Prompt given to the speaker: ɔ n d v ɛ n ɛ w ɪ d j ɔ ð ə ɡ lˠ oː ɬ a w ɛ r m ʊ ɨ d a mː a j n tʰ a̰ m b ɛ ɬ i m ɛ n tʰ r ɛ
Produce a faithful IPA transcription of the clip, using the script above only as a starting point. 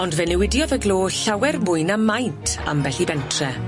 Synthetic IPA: ɔ n d v ɛ n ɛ w ɪ d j ɔ ð ə ɡ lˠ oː ɬ a w ɛ r m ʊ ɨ n a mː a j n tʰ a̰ m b ɛ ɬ i b ɛ n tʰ r ɛ